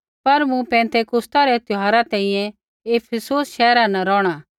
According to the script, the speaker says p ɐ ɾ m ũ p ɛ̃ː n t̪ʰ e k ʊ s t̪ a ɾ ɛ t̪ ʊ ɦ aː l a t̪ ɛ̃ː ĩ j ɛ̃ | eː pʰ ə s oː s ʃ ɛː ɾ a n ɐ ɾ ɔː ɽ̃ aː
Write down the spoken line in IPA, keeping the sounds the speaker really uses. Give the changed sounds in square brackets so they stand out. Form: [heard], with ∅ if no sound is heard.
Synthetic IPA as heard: p ɐ ɾ m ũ p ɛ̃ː n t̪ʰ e k ʊ s t̪ a ɾ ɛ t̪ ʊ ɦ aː [ɾ] a t̪ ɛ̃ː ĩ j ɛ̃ | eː pʰ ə s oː s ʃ ɛː ɾ a n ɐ ɾ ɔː ɽ̃ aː